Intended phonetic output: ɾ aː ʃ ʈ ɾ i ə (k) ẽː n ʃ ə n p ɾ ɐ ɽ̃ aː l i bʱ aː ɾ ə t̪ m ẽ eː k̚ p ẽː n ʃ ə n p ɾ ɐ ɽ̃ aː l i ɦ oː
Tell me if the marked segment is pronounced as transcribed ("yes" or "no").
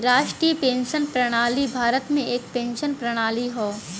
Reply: no